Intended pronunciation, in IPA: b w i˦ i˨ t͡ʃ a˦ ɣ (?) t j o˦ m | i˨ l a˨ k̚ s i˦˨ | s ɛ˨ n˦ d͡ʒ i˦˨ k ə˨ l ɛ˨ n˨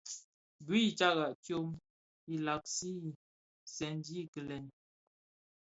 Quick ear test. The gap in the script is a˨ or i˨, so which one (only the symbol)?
a˨